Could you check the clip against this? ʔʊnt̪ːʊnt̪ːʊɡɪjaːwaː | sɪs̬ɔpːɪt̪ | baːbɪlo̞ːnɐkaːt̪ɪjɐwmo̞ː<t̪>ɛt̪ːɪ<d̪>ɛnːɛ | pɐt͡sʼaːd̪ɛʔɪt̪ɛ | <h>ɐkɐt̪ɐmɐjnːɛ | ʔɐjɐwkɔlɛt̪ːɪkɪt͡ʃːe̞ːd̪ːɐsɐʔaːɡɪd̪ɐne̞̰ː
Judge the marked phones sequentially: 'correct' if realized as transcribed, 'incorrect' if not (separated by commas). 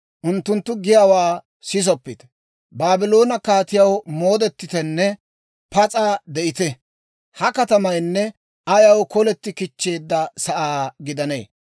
incorrect, incorrect, correct